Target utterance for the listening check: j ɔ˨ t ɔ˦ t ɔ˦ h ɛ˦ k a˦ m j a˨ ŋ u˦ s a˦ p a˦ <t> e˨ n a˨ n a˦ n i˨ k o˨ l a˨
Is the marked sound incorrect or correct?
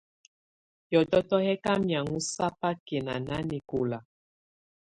incorrect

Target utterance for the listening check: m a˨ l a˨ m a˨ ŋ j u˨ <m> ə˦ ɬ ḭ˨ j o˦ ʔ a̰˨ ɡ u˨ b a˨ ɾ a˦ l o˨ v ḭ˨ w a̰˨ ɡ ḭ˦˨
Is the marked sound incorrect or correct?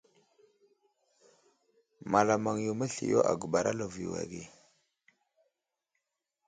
correct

